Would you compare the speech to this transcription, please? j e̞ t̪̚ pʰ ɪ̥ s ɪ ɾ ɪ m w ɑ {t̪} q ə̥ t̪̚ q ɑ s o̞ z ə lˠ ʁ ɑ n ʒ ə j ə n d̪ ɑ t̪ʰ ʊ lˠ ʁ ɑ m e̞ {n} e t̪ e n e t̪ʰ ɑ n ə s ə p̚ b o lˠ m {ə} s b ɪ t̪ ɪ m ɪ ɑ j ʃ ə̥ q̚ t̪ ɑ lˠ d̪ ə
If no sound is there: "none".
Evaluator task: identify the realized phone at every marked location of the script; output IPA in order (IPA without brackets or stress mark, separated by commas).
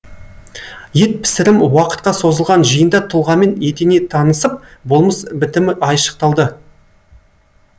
none, n, ə